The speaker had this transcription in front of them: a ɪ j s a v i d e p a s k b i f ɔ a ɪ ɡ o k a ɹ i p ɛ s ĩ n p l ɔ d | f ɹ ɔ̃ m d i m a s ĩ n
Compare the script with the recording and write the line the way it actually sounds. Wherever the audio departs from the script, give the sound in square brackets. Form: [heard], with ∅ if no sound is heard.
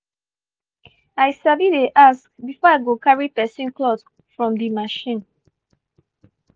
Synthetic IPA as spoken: a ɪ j s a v i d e [ʔ] a s k b i f ɔ a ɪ ɡ o k a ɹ i p ɛ s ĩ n [k] l ɔ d | f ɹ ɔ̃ m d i m a [ʃ] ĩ n